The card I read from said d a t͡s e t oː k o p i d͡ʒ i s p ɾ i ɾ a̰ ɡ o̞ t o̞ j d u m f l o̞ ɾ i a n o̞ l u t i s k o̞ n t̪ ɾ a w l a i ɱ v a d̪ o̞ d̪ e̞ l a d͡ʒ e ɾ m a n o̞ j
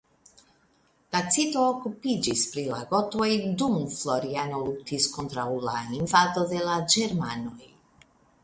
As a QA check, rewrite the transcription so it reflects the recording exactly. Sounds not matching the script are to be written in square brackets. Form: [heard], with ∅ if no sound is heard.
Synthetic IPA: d a t͡s [i] t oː k [u] p i d͡ʒ i s p ɾ i [l] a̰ ɡ o̞ t o̞ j d u m f l o̞ ɾ i a n o̞ l u t i s k o̞ n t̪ ɾ a w l a i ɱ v a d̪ o̞ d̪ e̞ l a d͡ʒ e ɾ m a n o̞ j